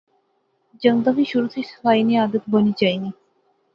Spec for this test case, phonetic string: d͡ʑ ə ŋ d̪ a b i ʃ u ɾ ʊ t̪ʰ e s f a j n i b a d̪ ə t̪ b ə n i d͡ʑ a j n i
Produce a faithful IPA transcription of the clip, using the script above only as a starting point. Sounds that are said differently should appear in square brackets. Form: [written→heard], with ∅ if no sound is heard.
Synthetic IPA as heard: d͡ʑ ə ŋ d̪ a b i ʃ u ɾ [ʊ→u] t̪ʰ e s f a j n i [b→∅] a d̪ ə t̪ b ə n i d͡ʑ a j n i